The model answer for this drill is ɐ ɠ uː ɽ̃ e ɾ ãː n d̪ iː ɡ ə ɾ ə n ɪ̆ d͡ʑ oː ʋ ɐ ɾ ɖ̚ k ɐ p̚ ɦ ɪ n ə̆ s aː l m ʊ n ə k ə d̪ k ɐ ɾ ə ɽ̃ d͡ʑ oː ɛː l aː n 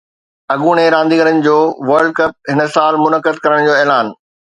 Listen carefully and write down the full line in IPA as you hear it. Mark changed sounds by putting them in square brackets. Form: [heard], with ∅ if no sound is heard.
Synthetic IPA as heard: ɐ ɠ uː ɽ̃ e ɾ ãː n d̪ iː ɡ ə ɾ ə n ɪ̆ d͡ʑ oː ʋ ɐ ɾ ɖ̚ k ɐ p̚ ɦ ɪ n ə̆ s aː l m ʊ n ə k ə d̪ k ɐ ɾ ə ɽ̃ d͡ʑ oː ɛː l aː n